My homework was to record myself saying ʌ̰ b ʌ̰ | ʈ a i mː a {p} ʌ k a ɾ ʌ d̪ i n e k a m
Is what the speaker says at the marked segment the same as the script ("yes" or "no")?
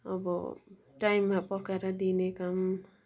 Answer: yes